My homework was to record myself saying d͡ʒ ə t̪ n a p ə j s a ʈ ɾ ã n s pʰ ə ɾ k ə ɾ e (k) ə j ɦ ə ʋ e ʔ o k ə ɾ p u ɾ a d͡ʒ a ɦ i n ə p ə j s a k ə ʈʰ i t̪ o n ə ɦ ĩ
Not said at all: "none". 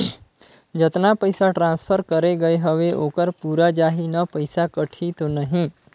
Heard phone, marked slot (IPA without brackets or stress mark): ɡ